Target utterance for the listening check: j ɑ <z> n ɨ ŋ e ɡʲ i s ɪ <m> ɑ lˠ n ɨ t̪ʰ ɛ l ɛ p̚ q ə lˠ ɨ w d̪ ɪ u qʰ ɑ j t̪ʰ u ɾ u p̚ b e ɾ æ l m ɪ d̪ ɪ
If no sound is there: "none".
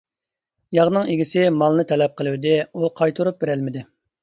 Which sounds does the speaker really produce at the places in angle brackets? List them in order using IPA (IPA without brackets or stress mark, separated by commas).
ʁ, m